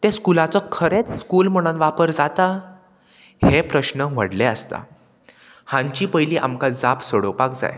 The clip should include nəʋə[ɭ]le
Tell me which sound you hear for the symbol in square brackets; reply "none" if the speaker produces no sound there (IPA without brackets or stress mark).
ɽ